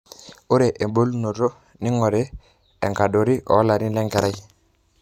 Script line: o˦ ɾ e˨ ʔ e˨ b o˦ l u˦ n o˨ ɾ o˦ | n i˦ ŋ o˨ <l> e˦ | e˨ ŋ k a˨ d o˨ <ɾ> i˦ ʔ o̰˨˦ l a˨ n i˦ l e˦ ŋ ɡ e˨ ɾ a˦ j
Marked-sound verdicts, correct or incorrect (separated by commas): incorrect, correct